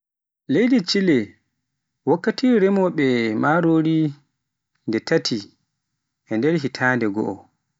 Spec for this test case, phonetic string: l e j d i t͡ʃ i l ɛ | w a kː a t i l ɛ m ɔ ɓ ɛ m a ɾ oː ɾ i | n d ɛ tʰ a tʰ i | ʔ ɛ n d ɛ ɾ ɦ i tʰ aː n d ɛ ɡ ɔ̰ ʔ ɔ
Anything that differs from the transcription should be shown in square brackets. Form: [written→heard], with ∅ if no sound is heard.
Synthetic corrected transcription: l e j d i t͡ʃ i l ɛ | w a kː a t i [l→ɾ] ɛ m ɔ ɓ ɛ m a ɾ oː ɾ i | n d ɛ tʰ a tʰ i | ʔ ɛ n d ɛ ɾ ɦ i tʰ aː n d ɛ ɡ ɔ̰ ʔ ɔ